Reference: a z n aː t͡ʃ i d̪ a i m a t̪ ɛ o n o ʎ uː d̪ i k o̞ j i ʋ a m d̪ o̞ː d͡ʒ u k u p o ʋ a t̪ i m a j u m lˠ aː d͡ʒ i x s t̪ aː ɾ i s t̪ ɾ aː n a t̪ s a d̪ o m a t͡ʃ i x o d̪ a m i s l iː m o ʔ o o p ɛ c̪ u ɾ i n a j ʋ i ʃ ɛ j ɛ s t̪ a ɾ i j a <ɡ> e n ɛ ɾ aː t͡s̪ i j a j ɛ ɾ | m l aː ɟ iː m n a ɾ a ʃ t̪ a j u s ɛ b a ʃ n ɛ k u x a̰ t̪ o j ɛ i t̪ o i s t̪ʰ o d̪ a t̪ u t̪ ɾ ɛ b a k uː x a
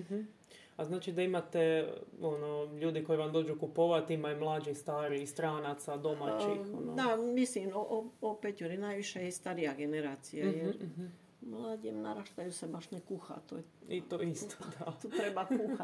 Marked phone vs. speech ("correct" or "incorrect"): correct